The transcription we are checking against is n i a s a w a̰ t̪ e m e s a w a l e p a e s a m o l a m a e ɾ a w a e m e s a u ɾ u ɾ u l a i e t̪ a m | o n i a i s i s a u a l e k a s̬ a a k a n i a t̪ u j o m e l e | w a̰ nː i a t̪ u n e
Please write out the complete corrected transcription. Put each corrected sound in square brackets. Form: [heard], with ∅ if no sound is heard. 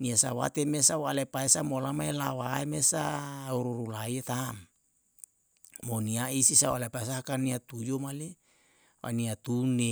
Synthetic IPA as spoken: n i a s a w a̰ t̪ e m e s a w a l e p a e s a m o l a m a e [l] a w a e m e s a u ɾ u ɾ u l a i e t̪ a m | o n i a i s i s a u a l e [p] a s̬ a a k a n i a t̪ u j o m [a] l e | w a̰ [n] i a t̪ u n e